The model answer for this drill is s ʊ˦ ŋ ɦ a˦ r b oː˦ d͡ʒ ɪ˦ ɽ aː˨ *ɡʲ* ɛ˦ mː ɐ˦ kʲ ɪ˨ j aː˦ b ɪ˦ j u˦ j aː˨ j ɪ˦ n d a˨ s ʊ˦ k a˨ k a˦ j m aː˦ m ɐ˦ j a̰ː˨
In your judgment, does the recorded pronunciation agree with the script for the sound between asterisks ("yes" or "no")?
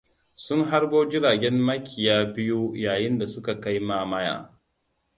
yes